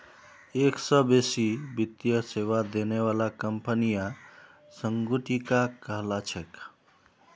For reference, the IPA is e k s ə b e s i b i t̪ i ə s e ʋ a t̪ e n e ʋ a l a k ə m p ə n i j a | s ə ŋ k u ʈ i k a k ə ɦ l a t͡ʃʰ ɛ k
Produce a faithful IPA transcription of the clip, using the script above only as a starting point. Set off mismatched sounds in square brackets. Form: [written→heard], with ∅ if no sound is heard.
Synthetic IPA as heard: e k s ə b e s i b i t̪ [i→j] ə s e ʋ a [t̪→d̪] e n e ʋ a l a k ə m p ə n i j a | s ə ŋ [k→ɡ] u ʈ i k a k ə ɦ l a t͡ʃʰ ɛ k